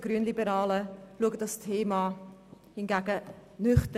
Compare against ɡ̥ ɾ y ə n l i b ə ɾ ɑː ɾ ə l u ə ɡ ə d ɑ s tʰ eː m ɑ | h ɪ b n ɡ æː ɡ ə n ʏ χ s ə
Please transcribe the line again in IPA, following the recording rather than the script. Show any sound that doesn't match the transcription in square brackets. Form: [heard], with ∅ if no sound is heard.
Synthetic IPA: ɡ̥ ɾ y ə n l i b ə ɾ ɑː [l] ə l u ə ɡ ə d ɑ s tʰ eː m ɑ | h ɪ [∅] n ɡ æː ɡ ə n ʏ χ [t] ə